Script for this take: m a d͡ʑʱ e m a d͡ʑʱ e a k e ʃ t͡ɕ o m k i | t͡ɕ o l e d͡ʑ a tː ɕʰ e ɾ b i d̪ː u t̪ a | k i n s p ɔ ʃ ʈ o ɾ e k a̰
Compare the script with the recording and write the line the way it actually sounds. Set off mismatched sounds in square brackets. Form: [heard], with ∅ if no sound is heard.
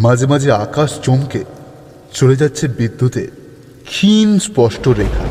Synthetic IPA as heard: m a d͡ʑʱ e m a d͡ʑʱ e a k [a] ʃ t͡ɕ o m k [e] | t͡ɕ o l e d͡ʑ a tː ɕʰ e ɾ b i d̪ː u t̪ [e] | [kʰ] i n s p ɔ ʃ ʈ o ɾ e [kʰ] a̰